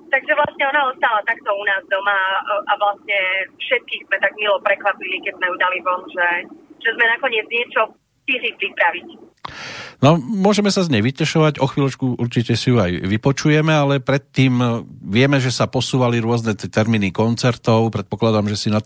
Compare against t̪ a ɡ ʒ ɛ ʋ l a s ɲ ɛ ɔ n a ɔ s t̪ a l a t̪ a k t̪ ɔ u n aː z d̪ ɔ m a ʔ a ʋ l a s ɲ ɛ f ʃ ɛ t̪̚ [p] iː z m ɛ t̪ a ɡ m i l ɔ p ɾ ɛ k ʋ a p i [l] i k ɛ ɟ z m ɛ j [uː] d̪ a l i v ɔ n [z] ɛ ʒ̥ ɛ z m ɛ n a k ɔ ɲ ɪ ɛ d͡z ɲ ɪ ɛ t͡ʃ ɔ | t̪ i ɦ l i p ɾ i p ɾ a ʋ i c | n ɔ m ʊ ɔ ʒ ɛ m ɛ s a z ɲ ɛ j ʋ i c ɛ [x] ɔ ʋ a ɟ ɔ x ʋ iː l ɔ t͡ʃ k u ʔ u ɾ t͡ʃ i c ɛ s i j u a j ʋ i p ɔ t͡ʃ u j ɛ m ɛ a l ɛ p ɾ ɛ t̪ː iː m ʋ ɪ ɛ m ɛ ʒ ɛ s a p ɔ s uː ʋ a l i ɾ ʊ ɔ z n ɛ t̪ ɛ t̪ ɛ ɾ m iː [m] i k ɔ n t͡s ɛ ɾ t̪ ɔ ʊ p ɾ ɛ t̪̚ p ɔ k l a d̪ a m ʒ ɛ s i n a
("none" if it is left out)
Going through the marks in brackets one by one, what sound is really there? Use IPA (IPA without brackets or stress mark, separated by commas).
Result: k, l, u, ʒ, ʃ, n